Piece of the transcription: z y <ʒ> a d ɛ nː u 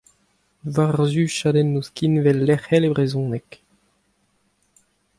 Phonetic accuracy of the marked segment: incorrect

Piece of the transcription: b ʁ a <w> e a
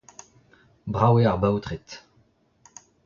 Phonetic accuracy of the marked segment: correct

